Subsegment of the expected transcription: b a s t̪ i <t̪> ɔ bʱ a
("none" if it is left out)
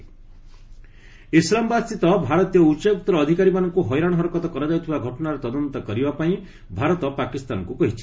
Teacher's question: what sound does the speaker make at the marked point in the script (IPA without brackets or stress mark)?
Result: t̪